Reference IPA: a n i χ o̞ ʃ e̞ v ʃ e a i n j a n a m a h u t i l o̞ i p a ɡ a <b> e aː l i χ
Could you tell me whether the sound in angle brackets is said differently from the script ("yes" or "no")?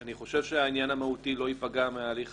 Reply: yes